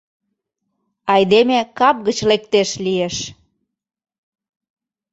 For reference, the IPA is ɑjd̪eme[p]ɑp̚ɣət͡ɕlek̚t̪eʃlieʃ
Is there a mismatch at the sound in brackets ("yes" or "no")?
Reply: yes